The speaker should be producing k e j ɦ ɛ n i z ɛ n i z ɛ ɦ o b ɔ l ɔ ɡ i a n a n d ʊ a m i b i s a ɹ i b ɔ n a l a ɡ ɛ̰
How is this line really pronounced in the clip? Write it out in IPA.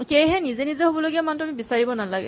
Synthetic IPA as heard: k e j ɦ ɛ n i z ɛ n i z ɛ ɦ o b ɔ l o ɡ i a m a n t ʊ a m i b i s a ɹ i b ɔ n a l a ɡ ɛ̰